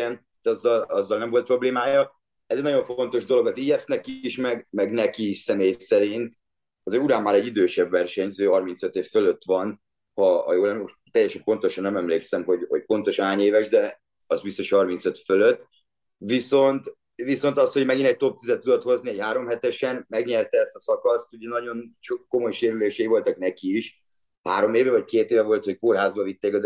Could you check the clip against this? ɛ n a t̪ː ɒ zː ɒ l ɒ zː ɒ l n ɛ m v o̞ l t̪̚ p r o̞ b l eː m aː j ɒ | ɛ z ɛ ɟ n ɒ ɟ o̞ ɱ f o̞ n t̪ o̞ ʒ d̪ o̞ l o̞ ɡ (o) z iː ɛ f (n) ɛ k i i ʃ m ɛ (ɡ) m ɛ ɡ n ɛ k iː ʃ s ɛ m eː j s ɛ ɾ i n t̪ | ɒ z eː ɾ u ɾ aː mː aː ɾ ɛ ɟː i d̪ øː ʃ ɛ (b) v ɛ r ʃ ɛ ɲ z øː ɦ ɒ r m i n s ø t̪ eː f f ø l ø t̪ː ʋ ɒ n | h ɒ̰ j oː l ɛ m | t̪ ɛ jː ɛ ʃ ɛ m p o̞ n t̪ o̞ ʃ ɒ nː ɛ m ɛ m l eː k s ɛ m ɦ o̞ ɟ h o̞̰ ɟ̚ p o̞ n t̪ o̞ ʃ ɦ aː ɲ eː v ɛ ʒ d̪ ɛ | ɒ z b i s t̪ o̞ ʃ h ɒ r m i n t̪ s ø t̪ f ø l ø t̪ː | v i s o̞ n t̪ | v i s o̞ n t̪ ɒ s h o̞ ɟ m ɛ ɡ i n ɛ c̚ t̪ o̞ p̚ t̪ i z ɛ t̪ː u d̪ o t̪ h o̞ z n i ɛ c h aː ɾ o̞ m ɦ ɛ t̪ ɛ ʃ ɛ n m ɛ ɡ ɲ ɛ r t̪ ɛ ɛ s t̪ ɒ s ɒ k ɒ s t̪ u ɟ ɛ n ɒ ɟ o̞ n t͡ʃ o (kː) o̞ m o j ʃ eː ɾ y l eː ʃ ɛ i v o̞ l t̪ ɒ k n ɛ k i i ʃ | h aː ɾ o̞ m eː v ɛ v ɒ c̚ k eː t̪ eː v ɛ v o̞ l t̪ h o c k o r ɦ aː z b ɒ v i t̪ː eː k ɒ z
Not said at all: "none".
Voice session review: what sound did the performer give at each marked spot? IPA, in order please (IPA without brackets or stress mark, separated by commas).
ɒ, n, ɡ, b, kː